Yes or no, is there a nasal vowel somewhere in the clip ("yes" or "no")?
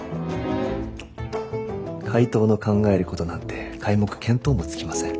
yes